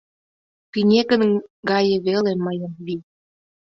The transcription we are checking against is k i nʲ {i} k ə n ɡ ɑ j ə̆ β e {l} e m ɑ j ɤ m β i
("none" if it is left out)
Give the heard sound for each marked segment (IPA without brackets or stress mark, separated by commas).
e, l